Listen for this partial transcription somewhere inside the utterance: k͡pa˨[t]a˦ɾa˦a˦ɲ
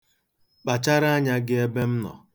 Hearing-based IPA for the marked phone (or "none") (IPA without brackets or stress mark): t͡ʃ